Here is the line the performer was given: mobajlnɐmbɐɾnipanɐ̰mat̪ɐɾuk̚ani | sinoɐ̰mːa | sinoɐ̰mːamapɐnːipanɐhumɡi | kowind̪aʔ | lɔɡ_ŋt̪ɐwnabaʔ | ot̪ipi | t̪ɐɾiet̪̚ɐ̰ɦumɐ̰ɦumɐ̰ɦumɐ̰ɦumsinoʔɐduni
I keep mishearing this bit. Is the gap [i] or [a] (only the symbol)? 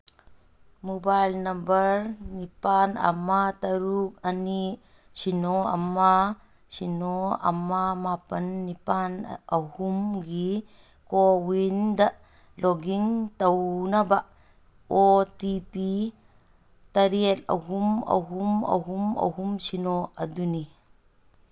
i